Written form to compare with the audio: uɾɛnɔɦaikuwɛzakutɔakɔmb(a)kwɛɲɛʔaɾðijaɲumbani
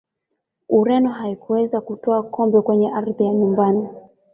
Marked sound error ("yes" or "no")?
yes